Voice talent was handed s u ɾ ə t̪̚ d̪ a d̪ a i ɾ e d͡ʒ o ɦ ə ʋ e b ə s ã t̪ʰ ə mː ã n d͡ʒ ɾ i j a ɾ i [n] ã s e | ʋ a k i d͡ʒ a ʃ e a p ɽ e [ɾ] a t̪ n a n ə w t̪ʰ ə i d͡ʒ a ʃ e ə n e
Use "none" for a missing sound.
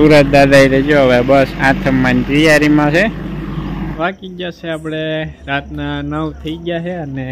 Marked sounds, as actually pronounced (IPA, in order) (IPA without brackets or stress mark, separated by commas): m, ɾ